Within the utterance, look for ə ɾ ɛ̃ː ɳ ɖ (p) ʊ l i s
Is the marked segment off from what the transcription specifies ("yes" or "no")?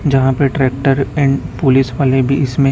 no